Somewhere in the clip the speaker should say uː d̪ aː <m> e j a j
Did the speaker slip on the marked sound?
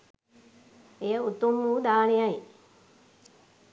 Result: yes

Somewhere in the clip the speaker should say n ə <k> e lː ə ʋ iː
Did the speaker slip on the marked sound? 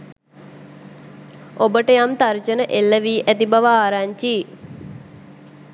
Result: yes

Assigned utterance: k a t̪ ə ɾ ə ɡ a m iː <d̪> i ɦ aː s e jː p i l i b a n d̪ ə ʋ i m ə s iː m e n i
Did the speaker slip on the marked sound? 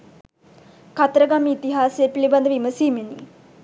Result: yes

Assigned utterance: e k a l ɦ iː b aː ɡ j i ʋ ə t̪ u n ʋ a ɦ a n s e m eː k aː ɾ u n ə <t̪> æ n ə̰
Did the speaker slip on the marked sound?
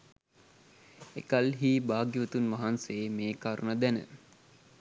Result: yes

